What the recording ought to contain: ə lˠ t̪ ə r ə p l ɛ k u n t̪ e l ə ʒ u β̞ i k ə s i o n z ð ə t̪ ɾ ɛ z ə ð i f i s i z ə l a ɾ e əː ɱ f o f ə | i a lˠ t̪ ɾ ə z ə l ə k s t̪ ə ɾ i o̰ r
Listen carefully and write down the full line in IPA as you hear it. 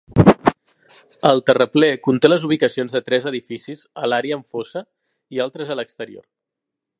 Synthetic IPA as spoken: ə lˠ t̪ ə r ə p l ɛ k u n t̪ e l ə z u β̞ i k ə s i o n z ð ə t̪ ɾ ɛ z ə ð i f i s i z ə l a ɾ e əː ɱ f o s ə | i a lˠ t̪ ɾ ə z ə l ə k s t̪ ə ɾ i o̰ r